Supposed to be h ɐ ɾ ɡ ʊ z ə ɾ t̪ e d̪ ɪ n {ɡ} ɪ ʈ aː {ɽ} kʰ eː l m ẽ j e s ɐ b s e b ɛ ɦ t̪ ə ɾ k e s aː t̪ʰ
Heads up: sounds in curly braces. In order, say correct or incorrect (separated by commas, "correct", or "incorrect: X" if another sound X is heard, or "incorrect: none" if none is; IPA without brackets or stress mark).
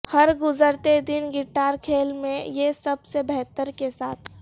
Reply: correct, incorrect: ɾ